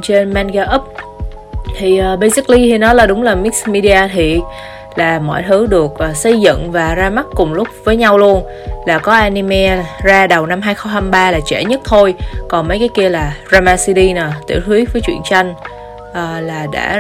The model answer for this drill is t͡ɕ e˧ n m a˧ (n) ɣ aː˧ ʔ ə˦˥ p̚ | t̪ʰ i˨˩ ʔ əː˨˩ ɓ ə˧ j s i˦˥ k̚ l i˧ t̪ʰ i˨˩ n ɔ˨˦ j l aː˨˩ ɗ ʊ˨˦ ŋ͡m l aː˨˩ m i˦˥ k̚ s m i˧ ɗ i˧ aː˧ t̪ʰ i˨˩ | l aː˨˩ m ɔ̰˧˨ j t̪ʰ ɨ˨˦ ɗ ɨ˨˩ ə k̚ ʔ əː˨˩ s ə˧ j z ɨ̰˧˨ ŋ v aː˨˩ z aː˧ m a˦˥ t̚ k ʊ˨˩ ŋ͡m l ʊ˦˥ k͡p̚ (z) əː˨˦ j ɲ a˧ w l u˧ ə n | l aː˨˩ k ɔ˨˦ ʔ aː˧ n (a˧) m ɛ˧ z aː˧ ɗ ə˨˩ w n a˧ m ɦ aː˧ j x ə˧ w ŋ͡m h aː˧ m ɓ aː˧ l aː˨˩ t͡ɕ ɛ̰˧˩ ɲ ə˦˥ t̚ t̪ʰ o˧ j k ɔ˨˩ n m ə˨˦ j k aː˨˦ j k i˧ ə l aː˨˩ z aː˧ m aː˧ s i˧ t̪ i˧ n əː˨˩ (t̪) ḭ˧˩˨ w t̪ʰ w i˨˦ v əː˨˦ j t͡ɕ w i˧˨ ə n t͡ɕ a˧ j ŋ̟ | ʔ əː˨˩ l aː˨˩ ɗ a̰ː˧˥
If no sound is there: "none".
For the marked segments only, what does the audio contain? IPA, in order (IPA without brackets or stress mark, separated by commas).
n, v, i˧, t̪